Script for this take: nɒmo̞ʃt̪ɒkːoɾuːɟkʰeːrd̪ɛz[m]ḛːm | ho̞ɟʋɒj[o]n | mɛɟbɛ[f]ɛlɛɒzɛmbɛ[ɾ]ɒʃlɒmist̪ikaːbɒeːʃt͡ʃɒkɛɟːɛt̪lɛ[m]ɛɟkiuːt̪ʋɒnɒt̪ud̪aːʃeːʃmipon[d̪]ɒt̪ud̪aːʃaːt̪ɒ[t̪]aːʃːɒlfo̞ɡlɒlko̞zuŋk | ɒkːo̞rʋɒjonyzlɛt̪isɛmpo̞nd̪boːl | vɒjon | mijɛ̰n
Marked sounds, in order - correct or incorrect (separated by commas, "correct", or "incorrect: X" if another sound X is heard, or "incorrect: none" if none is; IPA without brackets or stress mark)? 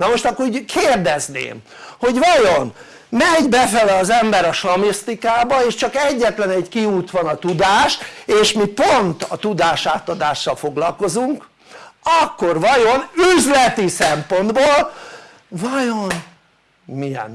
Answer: incorrect: n, correct, correct, correct, incorrect: n, incorrect: t̪, incorrect: d̪